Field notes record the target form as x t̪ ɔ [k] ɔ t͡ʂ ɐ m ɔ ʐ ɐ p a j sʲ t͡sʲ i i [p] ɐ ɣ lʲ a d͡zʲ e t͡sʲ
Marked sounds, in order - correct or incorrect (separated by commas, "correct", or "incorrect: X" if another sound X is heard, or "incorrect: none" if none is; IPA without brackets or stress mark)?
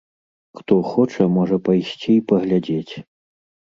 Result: incorrect: x, correct